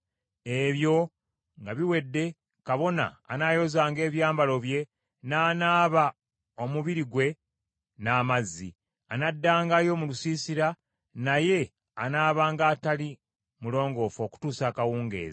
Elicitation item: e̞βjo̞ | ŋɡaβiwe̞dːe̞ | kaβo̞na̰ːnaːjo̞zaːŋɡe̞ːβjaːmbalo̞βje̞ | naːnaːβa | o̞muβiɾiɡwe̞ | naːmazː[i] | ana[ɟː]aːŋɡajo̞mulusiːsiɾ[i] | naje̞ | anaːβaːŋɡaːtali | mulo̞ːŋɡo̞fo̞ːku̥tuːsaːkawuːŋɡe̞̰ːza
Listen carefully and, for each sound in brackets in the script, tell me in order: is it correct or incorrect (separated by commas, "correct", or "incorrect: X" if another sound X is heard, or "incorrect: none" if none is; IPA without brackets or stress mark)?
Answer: correct, incorrect: dː, incorrect: a